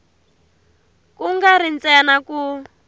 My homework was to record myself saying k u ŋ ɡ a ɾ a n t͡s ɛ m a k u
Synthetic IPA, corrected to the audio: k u ŋ ɡ a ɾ i n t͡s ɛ n a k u

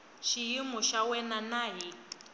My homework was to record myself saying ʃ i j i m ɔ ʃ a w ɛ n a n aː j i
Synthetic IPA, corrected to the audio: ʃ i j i m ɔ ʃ a w ɛ n a n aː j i

